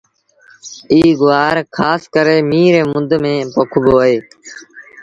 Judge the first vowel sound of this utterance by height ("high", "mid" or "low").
high